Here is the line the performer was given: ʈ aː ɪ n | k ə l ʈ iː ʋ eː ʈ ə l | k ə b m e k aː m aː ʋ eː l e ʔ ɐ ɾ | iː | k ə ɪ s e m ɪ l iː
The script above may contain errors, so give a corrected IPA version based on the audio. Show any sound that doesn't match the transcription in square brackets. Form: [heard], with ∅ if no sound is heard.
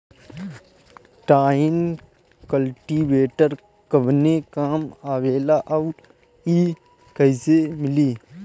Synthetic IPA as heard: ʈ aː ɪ n | k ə l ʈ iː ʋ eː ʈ ə [ɾ] | k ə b [n] e k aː m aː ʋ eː l [a] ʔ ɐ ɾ | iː | k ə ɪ s e m ɪ l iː